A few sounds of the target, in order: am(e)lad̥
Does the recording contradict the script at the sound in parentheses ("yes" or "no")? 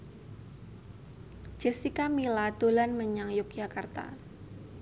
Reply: yes